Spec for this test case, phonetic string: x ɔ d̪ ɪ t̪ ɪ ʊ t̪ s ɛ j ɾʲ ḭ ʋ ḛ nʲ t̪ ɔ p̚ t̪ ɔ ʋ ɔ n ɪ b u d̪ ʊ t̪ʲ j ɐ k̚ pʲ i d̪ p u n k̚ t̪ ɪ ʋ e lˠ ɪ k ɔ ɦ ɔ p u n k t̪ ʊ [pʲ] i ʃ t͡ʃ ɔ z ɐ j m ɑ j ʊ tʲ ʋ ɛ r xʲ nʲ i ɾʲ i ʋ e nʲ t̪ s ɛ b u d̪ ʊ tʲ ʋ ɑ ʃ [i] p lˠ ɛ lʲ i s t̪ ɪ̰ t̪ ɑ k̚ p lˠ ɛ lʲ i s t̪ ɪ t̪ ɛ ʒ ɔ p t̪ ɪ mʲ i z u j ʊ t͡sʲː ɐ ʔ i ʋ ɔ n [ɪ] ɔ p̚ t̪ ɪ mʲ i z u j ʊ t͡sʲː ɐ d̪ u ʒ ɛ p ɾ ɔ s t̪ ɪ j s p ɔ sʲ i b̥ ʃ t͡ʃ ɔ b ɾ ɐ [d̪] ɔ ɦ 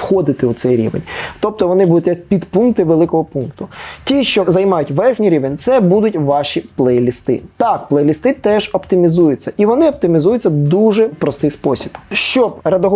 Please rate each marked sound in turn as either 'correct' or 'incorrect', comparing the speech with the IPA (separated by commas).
incorrect, correct, correct, correct